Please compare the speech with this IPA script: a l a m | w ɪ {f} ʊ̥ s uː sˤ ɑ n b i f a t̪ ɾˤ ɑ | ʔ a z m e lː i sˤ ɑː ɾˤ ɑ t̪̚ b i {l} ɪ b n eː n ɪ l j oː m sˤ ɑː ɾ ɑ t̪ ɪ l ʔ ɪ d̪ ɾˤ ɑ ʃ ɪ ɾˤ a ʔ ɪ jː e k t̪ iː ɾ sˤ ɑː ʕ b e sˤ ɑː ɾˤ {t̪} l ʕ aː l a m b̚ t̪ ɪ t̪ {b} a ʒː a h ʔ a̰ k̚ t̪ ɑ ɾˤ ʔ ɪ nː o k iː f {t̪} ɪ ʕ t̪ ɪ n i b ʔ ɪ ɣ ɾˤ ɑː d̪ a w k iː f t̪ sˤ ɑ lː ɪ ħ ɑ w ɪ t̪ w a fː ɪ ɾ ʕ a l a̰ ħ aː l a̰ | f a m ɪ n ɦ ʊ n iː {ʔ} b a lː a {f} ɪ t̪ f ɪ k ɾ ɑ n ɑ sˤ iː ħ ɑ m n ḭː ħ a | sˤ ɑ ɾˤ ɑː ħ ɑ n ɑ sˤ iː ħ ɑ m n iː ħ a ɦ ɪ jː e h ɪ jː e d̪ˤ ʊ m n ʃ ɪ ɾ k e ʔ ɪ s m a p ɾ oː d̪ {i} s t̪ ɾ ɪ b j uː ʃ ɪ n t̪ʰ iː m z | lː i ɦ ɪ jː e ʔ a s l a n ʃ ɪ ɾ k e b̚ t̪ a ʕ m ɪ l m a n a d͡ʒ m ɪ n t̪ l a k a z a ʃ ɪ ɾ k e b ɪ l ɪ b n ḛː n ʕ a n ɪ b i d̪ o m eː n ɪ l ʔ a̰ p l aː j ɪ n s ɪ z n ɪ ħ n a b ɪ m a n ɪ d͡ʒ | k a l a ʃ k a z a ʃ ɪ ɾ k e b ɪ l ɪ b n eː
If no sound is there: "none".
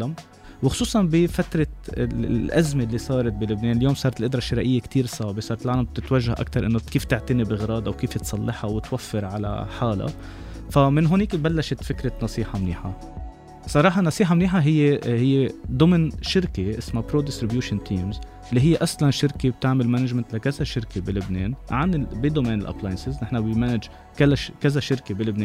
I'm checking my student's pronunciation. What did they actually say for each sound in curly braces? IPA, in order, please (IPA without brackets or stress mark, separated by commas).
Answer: x, l, t̪, w, t̪, k, ʃ, ɪ